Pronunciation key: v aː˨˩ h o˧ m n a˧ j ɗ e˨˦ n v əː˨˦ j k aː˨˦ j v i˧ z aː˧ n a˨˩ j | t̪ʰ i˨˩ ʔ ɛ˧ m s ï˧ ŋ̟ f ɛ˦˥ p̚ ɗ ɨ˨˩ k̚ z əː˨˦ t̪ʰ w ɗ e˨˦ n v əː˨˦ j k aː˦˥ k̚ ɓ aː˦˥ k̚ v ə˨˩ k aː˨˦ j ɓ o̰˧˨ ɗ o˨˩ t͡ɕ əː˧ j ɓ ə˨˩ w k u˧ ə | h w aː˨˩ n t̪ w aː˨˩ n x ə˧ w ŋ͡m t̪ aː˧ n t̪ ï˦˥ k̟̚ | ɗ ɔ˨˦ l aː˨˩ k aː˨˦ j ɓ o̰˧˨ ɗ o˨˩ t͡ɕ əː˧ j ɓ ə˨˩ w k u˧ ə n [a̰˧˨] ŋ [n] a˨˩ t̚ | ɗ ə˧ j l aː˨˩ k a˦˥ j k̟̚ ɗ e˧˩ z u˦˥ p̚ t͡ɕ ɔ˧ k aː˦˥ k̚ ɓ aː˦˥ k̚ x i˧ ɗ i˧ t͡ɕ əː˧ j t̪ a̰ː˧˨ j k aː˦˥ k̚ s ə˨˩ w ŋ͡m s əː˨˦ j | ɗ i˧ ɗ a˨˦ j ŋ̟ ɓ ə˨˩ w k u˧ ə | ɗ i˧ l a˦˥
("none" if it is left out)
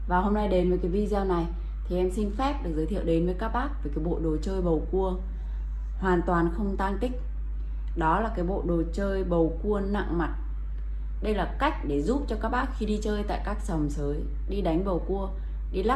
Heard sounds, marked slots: a̰˧˨, m

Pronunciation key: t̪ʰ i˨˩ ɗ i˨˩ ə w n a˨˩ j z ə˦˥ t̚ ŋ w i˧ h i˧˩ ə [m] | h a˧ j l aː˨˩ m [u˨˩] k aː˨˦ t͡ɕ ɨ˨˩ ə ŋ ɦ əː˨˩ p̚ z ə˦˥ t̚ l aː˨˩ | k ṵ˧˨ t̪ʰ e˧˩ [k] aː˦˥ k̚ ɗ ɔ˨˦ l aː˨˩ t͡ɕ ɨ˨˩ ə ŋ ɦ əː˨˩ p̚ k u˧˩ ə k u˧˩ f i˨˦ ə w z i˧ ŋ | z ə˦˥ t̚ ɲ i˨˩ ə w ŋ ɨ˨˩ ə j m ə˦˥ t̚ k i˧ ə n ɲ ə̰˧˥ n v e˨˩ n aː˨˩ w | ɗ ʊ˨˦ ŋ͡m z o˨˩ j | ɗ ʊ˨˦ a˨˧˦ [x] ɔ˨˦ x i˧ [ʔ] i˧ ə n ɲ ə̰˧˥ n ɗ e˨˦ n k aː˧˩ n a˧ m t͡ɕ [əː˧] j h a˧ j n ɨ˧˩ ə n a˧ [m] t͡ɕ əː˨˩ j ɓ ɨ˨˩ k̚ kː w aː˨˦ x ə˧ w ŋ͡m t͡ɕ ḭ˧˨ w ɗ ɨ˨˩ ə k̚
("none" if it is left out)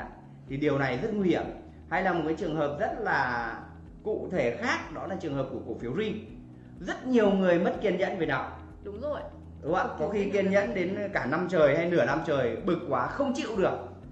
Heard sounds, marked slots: m, o˨˩, x, k, k, əː˨˩, m

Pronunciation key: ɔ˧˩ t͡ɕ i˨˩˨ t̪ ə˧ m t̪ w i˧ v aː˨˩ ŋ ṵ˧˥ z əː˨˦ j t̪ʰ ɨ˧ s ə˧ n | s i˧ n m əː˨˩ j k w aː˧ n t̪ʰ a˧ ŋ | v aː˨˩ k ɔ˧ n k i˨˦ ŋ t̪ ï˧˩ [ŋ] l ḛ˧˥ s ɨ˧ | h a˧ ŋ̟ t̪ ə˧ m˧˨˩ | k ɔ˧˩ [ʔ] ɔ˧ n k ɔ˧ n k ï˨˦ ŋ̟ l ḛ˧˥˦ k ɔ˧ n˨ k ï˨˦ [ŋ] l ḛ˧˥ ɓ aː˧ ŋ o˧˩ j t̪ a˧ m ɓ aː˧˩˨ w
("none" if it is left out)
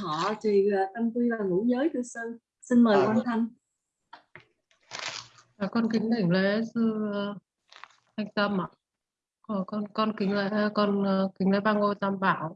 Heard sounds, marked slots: ŋ, k, ŋ

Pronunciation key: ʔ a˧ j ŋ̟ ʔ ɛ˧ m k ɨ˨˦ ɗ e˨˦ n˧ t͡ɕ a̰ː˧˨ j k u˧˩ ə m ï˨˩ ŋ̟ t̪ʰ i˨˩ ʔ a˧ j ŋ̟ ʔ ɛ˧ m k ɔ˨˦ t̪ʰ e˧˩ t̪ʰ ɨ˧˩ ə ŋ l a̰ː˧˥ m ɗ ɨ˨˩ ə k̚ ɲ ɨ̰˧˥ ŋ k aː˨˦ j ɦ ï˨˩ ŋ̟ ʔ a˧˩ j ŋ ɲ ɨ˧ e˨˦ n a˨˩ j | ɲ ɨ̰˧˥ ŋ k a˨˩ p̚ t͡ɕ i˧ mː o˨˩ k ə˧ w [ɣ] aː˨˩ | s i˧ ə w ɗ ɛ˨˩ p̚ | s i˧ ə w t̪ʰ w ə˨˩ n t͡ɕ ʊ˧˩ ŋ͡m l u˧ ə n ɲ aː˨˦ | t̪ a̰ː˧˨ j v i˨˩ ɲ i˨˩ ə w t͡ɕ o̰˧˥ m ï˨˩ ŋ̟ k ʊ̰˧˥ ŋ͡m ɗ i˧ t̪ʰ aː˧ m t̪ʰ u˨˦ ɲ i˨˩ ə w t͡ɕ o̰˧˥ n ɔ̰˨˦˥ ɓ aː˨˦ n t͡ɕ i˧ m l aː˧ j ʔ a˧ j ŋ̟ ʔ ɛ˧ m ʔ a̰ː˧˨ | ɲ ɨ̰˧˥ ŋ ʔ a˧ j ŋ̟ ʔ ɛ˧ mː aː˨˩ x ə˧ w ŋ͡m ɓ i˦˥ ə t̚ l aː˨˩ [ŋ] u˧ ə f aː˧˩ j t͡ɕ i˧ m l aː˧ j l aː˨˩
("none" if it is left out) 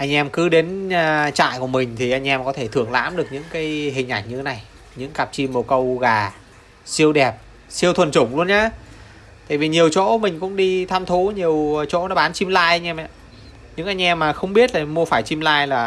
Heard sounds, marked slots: ɣ, m

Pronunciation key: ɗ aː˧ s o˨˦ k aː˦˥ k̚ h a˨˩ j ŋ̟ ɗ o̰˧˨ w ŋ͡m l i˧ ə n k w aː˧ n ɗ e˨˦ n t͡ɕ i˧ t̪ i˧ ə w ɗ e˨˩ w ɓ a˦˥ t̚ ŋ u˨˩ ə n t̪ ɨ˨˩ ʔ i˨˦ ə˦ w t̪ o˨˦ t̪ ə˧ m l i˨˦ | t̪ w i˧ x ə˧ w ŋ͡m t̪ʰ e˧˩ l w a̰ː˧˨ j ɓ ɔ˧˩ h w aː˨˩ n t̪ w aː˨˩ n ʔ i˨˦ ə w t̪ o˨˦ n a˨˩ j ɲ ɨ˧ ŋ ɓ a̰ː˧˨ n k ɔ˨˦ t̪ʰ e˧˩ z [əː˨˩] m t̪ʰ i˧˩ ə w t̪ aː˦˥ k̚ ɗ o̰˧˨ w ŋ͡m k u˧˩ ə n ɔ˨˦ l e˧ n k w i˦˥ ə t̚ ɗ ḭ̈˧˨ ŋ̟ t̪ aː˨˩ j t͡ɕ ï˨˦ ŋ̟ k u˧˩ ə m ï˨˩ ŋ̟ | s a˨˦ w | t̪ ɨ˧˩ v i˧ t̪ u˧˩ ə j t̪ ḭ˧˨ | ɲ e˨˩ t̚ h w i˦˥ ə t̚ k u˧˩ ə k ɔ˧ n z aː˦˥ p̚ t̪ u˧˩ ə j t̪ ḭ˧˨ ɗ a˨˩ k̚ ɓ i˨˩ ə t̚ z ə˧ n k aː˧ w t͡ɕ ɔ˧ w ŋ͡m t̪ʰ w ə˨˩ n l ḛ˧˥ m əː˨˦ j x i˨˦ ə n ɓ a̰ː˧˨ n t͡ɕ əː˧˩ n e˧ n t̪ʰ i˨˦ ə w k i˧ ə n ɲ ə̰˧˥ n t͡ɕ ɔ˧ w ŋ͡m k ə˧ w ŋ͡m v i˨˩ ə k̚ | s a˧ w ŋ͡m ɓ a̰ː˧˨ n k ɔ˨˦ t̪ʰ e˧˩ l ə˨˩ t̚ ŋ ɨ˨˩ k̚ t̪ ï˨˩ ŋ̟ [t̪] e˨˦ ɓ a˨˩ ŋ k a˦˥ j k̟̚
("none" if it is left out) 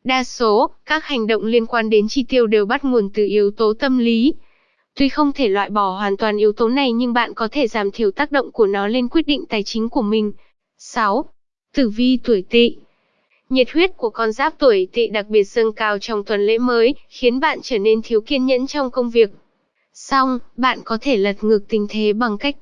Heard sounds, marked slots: aː˨˩, t̪ʰ

